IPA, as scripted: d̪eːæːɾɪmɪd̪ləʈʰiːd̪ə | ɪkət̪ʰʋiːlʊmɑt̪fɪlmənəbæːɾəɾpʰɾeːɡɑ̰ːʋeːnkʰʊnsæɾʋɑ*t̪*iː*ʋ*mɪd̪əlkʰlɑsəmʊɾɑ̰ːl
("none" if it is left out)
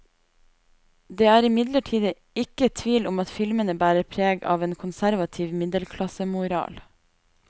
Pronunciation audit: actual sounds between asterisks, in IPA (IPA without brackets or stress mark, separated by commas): t̪ʰ, ʋ